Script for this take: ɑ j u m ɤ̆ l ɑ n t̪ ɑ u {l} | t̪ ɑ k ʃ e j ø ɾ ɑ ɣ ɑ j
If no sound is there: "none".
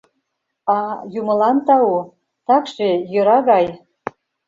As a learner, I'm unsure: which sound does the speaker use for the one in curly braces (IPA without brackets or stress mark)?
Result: none